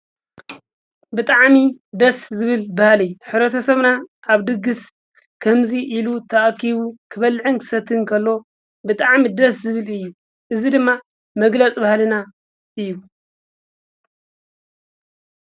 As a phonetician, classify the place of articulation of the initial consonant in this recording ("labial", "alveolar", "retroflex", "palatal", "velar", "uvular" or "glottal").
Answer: labial